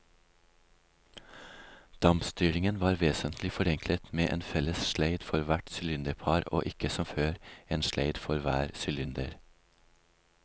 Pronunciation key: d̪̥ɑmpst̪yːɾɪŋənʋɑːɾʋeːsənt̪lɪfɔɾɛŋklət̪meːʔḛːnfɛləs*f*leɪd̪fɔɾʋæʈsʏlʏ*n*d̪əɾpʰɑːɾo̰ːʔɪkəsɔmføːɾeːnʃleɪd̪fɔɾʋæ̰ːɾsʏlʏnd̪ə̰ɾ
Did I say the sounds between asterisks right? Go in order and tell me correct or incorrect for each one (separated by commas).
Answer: incorrect, correct